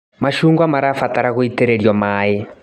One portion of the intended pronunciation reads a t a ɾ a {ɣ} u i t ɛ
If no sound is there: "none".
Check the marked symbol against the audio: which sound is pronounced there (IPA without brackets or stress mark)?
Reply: ɣ